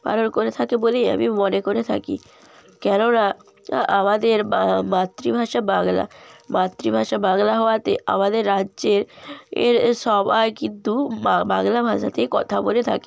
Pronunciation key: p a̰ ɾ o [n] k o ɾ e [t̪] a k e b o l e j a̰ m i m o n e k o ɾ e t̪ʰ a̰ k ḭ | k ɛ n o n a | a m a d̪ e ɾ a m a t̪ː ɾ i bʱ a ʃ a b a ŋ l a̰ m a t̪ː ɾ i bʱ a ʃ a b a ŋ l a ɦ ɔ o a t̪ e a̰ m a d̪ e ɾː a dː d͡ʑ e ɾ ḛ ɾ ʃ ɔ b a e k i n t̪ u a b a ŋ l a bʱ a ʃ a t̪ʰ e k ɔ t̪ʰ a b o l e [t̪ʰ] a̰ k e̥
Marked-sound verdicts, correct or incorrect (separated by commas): correct, incorrect, correct